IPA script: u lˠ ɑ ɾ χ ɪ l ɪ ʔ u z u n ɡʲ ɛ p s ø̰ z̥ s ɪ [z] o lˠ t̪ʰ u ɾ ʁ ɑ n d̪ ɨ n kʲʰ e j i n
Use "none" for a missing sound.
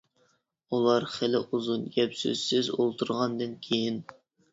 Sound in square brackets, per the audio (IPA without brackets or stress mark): z